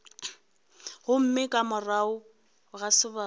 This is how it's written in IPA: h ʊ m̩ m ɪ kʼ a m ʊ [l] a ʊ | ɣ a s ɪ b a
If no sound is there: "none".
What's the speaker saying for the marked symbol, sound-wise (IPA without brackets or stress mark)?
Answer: r